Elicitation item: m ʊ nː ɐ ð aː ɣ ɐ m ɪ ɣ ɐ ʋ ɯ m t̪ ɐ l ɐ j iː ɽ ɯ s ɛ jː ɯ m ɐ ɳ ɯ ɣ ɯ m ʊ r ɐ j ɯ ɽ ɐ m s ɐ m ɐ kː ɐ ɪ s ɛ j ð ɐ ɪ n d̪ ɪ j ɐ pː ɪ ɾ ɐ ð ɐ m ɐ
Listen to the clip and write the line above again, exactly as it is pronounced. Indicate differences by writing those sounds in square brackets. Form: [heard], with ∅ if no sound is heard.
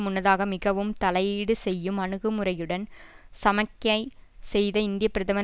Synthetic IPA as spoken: m ʊ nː ɐ ð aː ɣ ɐ m ɪ ɣ ɐ ʋ ɯ m t̪ ɐ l ɐ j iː ɽ ɯ s ɛ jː ɯ m ɐ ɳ ɯ ɣ ɯ m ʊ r ɐ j ɯ ɽ ɐ [n] s ɐ m ɐ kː ɐ ɪ s ɛ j ð ɐ ɪ n d̪ ɪ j ɐ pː ɪ ɾ ɐ ð ɐ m ɐ